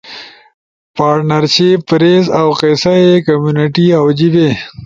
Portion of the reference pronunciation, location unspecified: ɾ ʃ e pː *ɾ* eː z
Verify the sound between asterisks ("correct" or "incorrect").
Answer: correct